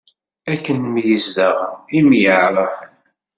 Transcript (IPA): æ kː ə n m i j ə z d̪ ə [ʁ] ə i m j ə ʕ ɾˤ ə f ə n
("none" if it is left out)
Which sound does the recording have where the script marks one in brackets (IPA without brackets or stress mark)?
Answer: ʁ